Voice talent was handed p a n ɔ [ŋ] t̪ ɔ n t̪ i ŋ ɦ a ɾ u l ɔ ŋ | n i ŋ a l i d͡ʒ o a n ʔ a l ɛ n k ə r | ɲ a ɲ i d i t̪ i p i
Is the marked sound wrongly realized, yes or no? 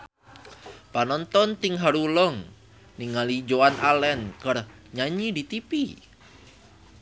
yes